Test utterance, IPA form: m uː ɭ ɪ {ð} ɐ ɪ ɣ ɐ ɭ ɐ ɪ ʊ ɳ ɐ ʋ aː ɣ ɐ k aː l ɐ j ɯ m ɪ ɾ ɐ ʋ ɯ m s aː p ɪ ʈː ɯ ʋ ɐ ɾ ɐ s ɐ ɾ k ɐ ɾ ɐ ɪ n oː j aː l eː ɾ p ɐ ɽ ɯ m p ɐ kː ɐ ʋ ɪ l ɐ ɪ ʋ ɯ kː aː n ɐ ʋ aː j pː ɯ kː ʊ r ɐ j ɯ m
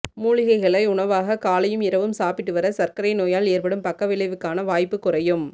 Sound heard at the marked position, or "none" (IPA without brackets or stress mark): ɣ